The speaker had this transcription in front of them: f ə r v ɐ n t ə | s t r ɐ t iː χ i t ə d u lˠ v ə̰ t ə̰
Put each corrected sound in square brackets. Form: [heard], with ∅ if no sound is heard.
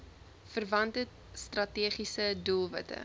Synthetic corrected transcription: f ə r v ɐ n t ə | s t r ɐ t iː χ i [s] ə d u lˠ v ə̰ t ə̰